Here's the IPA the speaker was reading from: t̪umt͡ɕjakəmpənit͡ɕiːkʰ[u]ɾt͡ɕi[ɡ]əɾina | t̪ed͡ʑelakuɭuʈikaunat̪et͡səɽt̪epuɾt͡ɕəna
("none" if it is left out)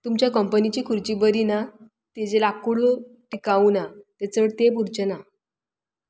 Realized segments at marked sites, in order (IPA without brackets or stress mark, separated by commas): u, b